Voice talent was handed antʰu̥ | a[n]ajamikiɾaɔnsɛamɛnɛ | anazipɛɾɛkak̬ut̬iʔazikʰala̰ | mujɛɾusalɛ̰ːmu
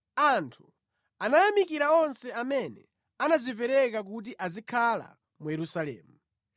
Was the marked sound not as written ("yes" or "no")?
no